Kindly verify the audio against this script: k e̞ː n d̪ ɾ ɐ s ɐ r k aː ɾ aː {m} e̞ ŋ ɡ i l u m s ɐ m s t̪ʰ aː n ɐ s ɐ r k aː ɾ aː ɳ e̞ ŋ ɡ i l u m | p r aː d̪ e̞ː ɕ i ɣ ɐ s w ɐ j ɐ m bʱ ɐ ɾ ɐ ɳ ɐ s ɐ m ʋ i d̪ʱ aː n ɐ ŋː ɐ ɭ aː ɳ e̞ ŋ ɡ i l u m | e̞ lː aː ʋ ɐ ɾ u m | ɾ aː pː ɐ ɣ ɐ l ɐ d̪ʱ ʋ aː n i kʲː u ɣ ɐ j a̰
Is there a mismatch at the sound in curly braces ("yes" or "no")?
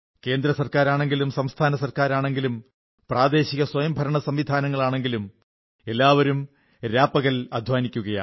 yes